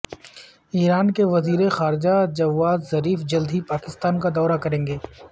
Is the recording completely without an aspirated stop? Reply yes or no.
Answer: yes